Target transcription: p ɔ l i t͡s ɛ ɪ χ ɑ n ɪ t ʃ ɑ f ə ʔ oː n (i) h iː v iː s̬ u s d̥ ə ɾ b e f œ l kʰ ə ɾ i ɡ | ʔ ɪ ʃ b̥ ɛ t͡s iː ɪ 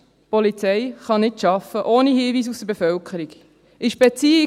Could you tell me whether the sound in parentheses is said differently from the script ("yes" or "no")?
no